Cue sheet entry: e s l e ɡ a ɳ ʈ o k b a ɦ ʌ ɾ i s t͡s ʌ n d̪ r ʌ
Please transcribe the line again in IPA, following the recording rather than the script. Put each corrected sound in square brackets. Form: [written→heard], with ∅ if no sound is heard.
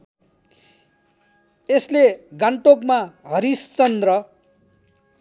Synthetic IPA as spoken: e s l e ɡ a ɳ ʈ o k [b→m] a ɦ ʌ ɾ i s t͡s ʌ n d̪ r ʌ